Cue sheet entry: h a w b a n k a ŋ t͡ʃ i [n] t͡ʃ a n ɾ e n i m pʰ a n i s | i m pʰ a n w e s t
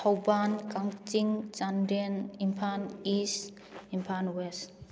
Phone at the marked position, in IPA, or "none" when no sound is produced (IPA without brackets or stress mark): ŋ